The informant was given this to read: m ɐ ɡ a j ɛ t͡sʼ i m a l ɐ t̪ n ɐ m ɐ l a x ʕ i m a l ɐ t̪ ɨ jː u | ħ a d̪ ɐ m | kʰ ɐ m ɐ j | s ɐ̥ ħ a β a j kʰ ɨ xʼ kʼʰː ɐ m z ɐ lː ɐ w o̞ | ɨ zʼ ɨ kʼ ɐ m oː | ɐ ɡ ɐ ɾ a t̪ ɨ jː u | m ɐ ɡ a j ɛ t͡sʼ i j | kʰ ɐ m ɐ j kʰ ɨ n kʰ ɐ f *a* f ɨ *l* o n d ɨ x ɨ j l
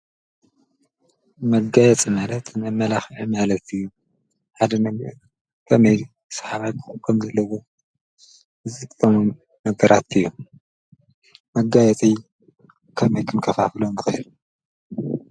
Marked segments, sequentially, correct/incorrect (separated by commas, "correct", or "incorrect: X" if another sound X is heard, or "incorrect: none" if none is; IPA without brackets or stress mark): correct, correct